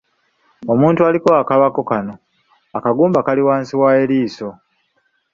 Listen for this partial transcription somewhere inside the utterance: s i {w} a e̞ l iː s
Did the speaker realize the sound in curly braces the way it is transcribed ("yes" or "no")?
yes